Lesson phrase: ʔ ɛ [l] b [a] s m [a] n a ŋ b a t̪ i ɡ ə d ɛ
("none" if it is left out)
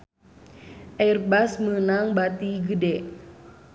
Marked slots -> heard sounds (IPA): r, a, ə

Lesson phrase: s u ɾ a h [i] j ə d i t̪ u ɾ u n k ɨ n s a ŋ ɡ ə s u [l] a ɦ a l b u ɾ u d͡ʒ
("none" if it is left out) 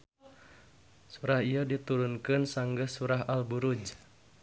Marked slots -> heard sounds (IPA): i, ɾ

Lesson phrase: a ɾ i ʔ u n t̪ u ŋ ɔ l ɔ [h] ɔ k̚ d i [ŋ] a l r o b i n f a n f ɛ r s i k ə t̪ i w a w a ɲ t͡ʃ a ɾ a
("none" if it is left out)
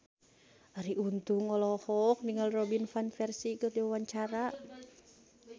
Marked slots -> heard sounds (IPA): h, ŋ

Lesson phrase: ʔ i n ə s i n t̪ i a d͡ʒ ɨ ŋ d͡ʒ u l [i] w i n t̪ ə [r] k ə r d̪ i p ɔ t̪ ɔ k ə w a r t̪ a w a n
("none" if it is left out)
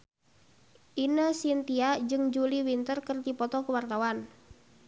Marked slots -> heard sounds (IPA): i, r

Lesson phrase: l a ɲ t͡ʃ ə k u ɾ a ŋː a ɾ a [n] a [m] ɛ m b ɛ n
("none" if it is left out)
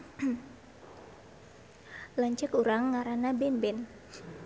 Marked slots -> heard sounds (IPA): n, b

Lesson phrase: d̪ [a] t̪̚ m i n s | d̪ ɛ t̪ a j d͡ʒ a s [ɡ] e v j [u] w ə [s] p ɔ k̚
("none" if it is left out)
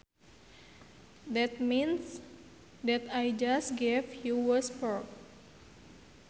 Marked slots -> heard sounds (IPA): ɛ, ɡ, u, s

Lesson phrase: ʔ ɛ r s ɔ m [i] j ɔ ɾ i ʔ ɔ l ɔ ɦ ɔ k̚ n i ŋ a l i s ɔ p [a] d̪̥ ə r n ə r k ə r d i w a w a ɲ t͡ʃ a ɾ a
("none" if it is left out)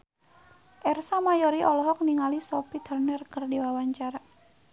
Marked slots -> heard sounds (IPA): a, i

